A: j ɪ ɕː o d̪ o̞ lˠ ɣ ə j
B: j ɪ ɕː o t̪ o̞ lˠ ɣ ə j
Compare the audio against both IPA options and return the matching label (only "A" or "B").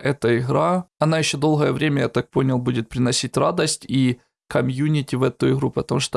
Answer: A